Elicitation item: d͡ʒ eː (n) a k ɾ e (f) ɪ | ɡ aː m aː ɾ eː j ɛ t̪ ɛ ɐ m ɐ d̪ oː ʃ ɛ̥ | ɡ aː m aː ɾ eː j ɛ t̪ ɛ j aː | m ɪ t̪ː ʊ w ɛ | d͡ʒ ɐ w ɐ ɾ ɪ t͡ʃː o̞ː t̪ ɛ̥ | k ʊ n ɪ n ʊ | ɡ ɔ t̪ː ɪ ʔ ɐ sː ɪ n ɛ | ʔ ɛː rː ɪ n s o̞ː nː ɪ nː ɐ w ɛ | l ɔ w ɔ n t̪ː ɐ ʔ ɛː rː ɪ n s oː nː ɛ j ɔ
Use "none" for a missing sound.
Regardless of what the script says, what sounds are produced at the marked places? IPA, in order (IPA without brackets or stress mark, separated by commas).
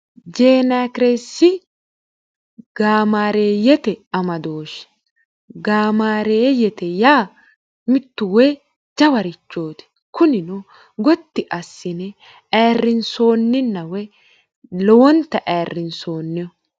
n, s